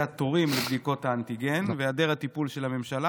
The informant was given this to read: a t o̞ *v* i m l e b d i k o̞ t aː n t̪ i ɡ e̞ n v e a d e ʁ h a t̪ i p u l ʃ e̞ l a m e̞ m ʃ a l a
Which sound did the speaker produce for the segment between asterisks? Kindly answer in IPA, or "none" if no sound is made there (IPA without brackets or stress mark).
ʁ